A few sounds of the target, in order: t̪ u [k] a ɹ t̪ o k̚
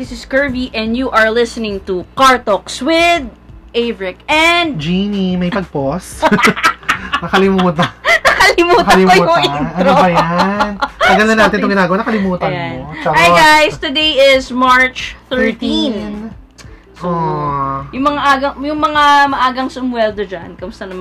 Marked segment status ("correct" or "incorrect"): correct